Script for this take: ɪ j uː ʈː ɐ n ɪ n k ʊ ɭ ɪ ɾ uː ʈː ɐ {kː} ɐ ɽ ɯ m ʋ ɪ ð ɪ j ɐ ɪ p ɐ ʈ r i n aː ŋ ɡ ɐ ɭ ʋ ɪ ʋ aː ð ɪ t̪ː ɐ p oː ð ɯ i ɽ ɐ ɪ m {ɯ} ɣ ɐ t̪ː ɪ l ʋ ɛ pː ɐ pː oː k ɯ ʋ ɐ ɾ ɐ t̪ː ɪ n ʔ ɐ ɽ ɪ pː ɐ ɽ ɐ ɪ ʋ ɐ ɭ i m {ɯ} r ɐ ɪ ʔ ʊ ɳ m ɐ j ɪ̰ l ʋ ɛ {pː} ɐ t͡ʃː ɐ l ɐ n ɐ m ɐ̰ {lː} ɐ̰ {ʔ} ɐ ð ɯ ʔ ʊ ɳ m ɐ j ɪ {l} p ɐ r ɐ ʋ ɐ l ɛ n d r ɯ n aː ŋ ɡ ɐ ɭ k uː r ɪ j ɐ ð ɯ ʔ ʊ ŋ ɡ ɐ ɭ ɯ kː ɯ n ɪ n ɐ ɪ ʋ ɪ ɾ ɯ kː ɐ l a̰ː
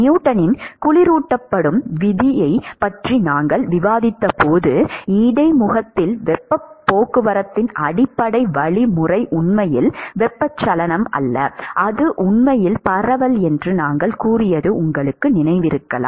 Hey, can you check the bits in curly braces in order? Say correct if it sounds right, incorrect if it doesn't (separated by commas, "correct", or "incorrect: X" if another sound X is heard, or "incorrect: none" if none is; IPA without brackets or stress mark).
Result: incorrect: pː, incorrect: ʊ, incorrect: ʊ, correct, correct, correct, correct